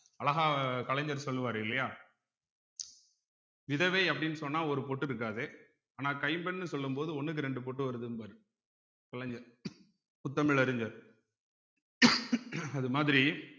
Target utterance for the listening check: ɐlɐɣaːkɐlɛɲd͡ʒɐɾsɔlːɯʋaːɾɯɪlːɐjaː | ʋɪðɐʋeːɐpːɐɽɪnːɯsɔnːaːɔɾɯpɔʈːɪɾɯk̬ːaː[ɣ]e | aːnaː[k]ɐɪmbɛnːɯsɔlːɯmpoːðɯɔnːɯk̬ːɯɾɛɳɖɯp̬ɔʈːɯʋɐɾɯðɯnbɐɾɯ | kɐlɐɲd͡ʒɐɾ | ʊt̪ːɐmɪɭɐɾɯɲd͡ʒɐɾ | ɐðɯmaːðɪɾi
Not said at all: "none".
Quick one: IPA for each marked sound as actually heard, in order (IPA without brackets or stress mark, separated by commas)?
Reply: ð, k